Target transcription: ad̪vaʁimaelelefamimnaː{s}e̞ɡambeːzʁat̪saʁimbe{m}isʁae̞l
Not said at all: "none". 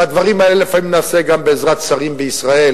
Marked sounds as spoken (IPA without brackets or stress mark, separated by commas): s, none